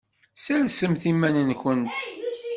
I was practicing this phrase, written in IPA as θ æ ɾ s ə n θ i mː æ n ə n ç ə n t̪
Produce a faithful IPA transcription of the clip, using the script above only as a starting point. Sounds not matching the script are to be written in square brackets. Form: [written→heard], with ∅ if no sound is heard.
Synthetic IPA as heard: [θ→s] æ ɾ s ə [n→m] θ i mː æ n ə n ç ə n t̪